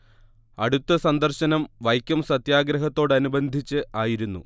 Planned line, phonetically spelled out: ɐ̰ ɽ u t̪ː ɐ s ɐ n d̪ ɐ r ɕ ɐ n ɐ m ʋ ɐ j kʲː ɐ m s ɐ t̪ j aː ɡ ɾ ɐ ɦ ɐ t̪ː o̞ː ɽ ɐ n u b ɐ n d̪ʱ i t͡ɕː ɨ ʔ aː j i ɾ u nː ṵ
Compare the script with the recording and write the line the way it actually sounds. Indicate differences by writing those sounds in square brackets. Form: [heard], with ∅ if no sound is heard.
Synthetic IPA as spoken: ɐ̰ ɽ u t̪ː ɐ s ɐ n d̪ ɐ r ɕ ɐ n ɐ m ʋ ɐ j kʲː ɐ m s ɐ t̪ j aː ɡ ɾ ɐ ɦ ɐ t̪ː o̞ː ɽ ɐ n u b ɐ n d̪ʱ i t͡ɕː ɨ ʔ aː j i ɾ u nː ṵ

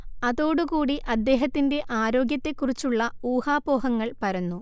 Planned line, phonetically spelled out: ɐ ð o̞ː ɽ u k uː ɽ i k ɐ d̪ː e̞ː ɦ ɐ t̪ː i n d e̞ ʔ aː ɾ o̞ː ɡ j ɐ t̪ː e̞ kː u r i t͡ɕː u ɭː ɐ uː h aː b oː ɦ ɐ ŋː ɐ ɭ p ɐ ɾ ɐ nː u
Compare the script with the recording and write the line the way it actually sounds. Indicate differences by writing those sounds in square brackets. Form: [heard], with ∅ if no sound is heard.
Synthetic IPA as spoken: ɐ ð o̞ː ɽ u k uː ɽ i [ʔ] ɐ d̪ː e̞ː ɦ ɐ t̪ː i n d e̞ ʔ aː ɾ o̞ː ɡ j ɐ t̪ː e̞ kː u r i t͡ɕː u ɭː ɐ uː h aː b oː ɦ ɐ ŋː ɐ ɭ p ɐ ɾ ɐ nː u

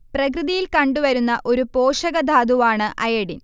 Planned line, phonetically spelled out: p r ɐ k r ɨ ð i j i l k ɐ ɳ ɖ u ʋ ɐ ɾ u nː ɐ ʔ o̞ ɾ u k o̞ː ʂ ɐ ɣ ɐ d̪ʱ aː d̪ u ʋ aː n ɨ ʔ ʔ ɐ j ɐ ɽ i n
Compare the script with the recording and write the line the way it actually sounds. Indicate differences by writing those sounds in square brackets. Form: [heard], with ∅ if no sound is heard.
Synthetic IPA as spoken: p r ɐ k r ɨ ð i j i l k ɐ ɳ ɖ u ʋ ɐ ɾ u nː ɐ ʔ o̞ ɾ u [p] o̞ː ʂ ɐ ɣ ɐ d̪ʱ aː d̪ u ʋ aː [ɳ] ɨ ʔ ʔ ɐ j ɐ ɽ i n

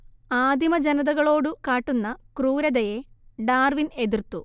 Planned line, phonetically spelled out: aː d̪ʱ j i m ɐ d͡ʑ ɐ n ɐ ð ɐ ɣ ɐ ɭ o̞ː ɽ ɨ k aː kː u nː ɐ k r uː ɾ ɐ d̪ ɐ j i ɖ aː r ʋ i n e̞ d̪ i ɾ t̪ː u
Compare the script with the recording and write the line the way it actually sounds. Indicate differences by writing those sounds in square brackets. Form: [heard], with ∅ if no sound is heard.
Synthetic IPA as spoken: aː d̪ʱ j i m ɐ d͡ʑ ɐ n ɐ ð ɐ ɣ ɐ ɭ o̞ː ɽ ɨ k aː [ʈː] u nː ɐ k r uː ɾ ɐ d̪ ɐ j [e] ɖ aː r ʋ i n e̞ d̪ i [r] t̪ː u

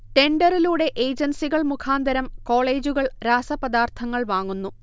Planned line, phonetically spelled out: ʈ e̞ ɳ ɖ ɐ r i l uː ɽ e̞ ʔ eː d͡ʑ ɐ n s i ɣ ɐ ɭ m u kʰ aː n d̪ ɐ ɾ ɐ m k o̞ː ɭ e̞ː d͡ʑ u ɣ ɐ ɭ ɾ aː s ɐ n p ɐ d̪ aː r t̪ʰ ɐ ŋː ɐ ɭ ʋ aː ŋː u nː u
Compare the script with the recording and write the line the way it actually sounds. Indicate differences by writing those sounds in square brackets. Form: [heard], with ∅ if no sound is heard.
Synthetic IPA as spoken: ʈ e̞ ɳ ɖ ɐ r i l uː ɽ e̞ ʔ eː d͡ʑ ɐ n s i ɣ ɐ ɭ m u kʰ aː n d̪ ɐ ɾ ɐ m k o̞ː ɭ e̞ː d͡ʑ u ɣ ɐ ɭ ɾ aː s ɐ [∅] p ɐ d̪ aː r t̪ʰ ɐ ŋː ɐ ɭ ʋ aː ŋː u nː u

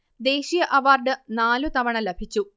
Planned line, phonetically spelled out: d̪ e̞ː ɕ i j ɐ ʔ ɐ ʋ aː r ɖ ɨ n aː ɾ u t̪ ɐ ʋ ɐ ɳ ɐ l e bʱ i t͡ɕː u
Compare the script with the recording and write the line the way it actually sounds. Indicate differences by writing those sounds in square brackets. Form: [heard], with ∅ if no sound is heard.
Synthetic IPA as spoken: d̪ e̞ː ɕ i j ɐ ʔ ɐ ʋ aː r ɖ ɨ n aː [l] u t̪ ɐ ʋ ɐ ɳ ɐ l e bʱ i t͡ɕː u

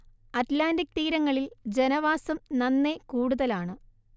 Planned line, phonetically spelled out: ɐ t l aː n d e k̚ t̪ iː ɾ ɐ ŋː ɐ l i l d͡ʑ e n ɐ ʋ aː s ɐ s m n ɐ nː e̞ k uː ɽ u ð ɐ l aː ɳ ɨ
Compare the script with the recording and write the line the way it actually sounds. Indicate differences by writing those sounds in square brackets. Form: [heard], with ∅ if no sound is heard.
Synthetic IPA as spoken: ɐ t l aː n d [i] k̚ t̪ iː ɾ ɐ ŋː ɐ [ɭ] i l d͡ʑ e n ɐ ʋ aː s ɐ [∅] m n ɐ nː e̞ k uː ɽ u ð ɐ l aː ɳ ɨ

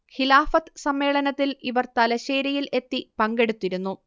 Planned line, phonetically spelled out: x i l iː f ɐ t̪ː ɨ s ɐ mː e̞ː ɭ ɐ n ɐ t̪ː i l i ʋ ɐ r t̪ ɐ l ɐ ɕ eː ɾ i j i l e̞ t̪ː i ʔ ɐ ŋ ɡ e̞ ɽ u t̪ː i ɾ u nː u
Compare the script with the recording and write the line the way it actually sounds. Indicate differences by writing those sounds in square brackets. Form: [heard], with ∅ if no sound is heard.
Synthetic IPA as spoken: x i l [aː] f ɐ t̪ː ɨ s ɐ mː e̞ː ɭ ɐ n ɐ t̪ː i l i ʋ ɐ r t̪ ɐ l ɐ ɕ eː ɾ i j i l e̞ t̪ː i [p] ɐ ŋ ɡ e̞ ɽ u t̪ː i ɾ u nː u

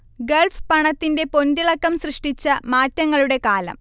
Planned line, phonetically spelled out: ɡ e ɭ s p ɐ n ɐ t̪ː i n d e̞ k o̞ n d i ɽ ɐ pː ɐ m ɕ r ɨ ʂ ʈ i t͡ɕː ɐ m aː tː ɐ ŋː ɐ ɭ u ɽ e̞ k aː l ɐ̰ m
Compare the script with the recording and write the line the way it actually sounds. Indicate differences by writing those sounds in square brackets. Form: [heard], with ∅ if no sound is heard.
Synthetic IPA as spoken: ɡ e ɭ [f] p ɐ [ɳ] ɐ t̪ː i n d e̞ [p] o̞ n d i [ɭ] ɐ [kː] ɐ m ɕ r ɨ ʂ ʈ i t͡ɕː ɐ m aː tː ɐ ŋː ɐ ɭ u ɽ e̞ k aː l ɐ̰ m

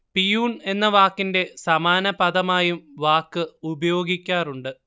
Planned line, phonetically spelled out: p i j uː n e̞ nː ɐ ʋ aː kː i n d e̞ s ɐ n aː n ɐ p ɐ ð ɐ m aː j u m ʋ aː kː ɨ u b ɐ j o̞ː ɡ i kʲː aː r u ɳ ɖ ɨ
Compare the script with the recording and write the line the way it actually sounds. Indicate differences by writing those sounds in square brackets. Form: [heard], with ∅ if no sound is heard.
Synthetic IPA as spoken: p i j uː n e̞ nː ɐ ʋ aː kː i n d e̞ s ɐ [m] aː n ɐ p ɐ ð ɐ m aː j u m ʋ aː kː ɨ u b ɐ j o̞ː ɡ i kʲː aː r u ɳ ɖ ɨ

